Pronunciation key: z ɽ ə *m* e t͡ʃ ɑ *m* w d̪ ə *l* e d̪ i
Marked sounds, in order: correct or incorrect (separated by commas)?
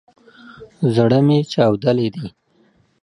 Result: correct, incorrect, correct